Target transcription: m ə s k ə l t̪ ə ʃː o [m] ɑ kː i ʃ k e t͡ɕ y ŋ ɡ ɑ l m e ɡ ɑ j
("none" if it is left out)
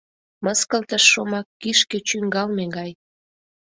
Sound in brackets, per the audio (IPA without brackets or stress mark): m